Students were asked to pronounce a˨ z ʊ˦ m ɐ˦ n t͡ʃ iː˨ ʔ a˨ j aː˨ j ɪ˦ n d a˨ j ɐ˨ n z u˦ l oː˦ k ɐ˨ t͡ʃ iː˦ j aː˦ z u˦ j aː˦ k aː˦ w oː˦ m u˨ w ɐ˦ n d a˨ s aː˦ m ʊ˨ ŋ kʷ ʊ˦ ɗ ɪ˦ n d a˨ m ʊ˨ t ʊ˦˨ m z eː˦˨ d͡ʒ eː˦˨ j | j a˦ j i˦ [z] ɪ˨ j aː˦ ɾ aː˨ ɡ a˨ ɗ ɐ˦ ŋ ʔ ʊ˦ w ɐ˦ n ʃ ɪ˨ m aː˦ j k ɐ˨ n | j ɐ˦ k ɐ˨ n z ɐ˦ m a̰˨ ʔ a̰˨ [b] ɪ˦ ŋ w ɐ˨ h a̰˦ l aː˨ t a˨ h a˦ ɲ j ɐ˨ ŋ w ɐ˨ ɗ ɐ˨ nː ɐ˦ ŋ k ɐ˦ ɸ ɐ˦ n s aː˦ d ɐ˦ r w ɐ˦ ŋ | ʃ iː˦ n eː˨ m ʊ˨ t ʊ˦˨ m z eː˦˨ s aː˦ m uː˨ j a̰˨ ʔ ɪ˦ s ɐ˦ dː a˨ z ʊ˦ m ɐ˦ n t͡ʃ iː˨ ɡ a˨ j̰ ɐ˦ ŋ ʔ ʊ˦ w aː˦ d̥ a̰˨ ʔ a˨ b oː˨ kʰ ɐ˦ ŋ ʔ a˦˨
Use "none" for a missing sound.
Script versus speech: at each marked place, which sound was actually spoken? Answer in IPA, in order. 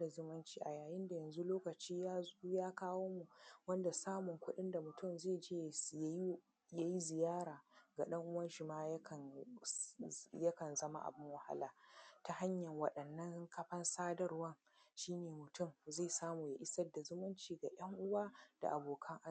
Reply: z, b

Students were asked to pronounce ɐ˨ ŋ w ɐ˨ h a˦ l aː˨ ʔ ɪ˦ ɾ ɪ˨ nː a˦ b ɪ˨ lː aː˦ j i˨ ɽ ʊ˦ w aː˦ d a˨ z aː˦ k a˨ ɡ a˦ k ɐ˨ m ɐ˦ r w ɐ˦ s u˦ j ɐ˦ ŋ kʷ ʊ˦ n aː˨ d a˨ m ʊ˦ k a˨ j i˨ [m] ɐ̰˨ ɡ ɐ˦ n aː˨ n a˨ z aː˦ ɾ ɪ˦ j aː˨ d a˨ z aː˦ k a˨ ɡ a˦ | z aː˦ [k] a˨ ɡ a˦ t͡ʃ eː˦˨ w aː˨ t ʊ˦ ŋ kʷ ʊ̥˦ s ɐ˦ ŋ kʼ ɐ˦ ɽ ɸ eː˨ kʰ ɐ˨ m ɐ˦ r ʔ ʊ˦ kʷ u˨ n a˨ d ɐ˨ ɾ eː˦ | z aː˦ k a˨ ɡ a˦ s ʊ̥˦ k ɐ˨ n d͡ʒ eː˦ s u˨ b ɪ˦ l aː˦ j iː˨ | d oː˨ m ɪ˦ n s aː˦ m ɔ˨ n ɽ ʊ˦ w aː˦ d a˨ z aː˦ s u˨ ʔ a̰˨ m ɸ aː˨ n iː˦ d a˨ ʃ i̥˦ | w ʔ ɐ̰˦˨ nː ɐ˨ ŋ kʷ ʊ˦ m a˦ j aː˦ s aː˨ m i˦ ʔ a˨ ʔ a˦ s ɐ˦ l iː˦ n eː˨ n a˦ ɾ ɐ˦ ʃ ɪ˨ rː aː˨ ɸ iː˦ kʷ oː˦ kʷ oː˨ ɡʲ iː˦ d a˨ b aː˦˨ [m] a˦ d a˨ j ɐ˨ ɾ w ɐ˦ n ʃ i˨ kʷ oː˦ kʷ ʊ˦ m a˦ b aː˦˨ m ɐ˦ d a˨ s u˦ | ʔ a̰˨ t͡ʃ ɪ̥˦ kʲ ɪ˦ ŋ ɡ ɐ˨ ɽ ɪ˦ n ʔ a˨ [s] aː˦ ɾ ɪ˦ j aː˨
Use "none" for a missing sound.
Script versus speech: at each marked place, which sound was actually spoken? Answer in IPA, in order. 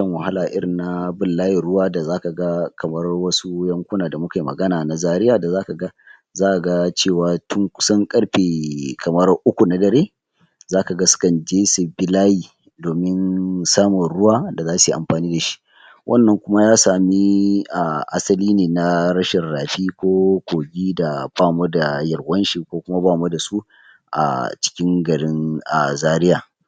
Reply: m, ʔ, m, z

